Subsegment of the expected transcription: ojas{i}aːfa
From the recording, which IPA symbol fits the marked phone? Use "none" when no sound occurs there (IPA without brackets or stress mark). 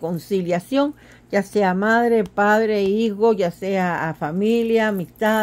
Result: e